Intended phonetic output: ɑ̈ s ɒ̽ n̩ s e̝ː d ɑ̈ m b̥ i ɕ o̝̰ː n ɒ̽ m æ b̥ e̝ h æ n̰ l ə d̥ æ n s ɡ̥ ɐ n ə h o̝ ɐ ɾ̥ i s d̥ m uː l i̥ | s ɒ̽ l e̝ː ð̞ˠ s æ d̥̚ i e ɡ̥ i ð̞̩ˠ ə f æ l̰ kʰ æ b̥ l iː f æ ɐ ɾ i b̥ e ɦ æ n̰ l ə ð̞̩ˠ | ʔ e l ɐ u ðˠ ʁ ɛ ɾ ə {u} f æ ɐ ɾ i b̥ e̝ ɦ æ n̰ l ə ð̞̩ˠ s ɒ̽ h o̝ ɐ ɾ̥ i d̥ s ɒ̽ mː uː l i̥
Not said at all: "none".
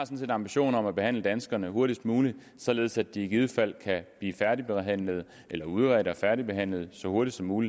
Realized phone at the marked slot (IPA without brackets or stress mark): ɒ